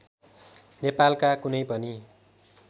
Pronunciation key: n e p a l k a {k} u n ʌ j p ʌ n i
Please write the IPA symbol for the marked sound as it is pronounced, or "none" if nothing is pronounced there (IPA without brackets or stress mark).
k